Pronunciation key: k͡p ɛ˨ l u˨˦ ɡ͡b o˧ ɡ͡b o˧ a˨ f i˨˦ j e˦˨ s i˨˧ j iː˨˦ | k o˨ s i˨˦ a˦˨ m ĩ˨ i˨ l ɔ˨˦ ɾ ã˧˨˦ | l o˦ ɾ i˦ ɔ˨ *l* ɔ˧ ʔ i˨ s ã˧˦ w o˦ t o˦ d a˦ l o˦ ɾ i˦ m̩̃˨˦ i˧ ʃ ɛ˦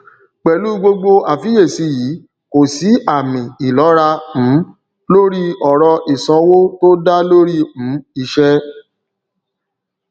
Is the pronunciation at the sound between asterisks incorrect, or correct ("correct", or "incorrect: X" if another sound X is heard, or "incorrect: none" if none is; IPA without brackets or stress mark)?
incorrect: ɾ